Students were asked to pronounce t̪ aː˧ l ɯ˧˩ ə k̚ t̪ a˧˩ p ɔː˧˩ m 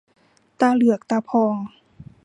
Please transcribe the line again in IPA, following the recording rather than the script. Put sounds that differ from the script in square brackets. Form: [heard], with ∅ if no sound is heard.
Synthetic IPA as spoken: t̪ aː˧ l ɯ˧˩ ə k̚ t̪ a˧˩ [pʰ] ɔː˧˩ [ŋ]